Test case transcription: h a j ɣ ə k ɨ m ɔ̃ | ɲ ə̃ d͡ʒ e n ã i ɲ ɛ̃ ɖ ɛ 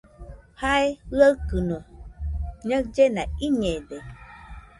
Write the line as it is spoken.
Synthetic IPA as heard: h a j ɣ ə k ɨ n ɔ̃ | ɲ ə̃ d͡ʒ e n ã i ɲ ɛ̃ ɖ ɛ